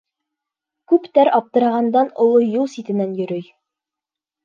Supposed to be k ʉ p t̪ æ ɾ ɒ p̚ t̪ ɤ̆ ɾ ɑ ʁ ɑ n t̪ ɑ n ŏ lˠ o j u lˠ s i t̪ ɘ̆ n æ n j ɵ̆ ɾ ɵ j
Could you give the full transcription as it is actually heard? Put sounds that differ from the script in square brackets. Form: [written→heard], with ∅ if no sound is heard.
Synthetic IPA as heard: k ʉ p t̪ æ ɾ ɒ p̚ t̪ ɤ̆ ɾ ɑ ʁ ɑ n [t̪→d̪] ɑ n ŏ lˠ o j u lˠ s i t̪ ɘ̆ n æ n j ɵ̆ ɾ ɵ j